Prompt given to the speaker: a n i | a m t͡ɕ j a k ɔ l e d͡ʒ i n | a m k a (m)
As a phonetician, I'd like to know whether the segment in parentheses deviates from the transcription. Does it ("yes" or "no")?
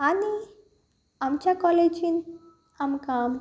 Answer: no